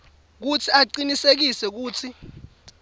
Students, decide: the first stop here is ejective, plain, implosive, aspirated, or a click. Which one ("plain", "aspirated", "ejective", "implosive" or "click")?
plain